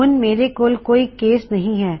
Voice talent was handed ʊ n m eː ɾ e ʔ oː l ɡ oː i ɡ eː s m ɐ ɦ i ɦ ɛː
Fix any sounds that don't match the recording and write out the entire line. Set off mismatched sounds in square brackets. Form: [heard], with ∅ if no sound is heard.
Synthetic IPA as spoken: ʊ n m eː ɾ e [k] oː l [k] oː i [k] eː s [n] ɐ ɦ [ĩ] ɦ ɛː